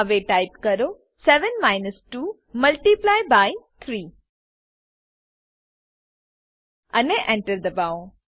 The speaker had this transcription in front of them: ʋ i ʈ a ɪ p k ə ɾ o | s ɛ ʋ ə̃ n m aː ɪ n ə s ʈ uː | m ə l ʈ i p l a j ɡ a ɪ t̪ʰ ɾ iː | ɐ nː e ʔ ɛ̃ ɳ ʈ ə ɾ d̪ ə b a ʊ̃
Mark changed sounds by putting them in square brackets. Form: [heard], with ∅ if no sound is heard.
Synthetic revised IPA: ʋ [e] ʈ a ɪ p k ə ɾ o | s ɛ ʋ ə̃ n m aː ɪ n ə s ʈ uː | m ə l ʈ i p l a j [b] a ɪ t̪ʰ ɾ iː | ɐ [n] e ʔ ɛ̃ ɳ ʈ ə ɾ d̪ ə b a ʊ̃

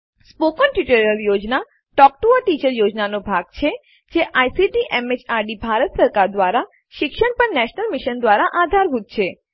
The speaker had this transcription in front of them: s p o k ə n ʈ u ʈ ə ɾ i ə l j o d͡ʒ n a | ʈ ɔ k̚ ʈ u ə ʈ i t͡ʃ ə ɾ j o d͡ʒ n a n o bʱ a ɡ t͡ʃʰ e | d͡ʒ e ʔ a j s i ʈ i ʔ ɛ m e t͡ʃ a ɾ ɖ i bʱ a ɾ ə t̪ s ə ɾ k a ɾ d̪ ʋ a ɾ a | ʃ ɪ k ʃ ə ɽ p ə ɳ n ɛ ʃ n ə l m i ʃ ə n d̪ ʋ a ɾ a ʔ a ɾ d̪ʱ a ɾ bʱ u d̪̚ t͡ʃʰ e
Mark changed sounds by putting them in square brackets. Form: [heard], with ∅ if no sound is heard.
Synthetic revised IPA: s p o k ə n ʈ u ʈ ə ɾ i ə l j o d͡ʒ n a | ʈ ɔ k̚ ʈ u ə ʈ i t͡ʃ ə ɾ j o d͡ʒ n a n o bʱ a ɡ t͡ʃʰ e | d͡ʒ e ʔ a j s i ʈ i ʔ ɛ m e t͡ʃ a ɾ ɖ i bʱ a ɾ ə t̪ s ə ɾ k a ɾ d̪ ʋ a ɾ a | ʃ ɪ k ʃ ə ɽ p ə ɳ n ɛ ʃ n ə l m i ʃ ə n d̪ ʋ a ɾ a ʔ a [∅] d̪ʱ a ɾ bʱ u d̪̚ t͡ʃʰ e

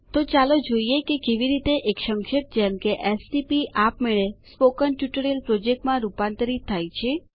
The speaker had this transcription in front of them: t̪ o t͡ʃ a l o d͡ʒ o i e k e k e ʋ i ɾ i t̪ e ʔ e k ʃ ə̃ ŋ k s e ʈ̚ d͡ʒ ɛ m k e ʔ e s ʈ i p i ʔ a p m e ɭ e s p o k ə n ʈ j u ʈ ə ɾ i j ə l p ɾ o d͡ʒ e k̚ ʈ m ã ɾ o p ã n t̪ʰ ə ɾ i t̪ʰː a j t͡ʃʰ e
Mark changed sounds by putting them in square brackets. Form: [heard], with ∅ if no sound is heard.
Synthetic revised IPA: t̪ o t͡ʃ a l o d͡ʒ o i e k e k e ʋ i ɾ i t̪ e ʔ e k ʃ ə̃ ŋ k [ʃ] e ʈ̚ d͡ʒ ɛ m k e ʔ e s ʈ i p i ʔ a p m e ɭ e s p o k ə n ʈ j u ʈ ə ɾ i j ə l p ɾ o d͡ʒ e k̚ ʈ m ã ɾ [u] p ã n [t̪] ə ɾ i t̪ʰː a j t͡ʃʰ e

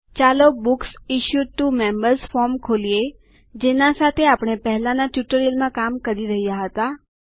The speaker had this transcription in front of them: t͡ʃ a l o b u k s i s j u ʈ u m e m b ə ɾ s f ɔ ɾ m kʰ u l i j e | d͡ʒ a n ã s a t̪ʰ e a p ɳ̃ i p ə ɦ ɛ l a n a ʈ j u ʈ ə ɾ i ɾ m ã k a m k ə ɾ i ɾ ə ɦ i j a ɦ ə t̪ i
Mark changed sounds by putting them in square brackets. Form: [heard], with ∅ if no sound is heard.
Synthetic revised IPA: t͡ʃ a l o b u k s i [ʃ] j u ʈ u m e m b ə ɾ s f ɔ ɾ m kʰ [o] l i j e | d͡ʒ [e] n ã s a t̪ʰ e a p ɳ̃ [e] p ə ɦ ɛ l a n a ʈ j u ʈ ə ɾ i [l] m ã k a m k ə ɾ i ɾ ə ɦ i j a ɦ ə t̪ [a]

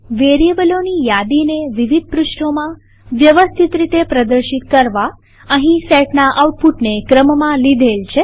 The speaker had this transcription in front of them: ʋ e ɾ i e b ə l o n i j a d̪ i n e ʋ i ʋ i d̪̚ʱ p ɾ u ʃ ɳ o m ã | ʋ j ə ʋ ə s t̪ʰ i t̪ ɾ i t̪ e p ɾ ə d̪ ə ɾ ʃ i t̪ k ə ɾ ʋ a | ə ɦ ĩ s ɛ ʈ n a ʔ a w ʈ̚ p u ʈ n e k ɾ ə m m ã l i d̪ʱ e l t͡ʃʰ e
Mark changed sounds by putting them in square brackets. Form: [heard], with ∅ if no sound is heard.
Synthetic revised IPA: ʋ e ɾ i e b ə l o n i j a d̪ i n e ʋ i ʋ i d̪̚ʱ p ɾ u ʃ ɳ o m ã | ʋ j ə ʋ ə s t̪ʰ i t̪ ɾ i t̪ e p ɾ ə d̪ ə ɾ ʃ i t̪ k ə ɾ ʋ a | ə ɦ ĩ s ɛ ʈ n a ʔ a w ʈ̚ p u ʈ n e k ɾ ə m m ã l i d̪ʱ e l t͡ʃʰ e

